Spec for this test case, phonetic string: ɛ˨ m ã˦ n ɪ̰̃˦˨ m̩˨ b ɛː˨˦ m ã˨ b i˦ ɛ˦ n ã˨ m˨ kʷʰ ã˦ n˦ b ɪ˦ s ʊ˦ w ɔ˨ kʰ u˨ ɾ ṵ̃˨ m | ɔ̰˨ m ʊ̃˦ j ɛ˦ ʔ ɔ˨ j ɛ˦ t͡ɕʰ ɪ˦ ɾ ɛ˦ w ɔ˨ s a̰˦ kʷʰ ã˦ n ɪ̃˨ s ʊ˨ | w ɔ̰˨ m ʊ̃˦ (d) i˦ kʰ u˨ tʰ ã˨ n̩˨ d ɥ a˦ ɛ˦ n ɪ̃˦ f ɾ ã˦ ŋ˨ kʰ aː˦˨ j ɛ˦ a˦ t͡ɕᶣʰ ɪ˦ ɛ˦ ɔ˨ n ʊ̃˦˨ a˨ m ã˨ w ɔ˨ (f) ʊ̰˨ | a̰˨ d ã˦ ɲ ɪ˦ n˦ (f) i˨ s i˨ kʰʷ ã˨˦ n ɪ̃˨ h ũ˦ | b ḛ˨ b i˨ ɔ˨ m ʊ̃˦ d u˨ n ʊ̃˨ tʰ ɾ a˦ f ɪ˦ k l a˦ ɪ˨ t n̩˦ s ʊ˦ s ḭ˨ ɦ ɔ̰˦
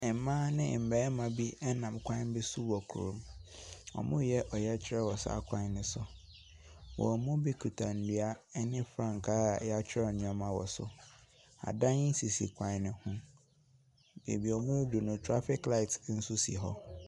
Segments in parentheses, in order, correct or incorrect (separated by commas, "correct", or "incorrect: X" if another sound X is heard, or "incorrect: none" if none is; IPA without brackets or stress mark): incorrect: b, incorrect: s, incorrect: s